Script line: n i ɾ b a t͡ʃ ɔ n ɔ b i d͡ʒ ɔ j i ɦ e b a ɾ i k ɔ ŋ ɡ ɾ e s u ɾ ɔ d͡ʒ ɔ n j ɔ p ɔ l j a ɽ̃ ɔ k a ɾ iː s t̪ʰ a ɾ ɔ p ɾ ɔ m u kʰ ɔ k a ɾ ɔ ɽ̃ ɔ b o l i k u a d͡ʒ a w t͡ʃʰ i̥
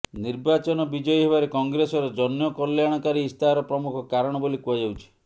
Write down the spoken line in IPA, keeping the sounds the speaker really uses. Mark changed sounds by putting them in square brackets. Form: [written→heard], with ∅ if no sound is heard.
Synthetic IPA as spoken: n i ɾ b a t͡ʃ ɔ n ɔ b i d͡ʒ ɔ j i ɦ e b a ɾ [i→e] k ɔ ŋ ɡ ɾ e s [u→ɔ] ɾ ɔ d͡ʒ ɔ n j ɔ [p→k] ɔ l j a ɽ̃ ɔ k a ɾ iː s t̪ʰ a ɾ ɔ p ɾ ɔ m u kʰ ɔ k a ɾ ɔ ɽ̃ ɔ b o l i k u a d͡ʒ a w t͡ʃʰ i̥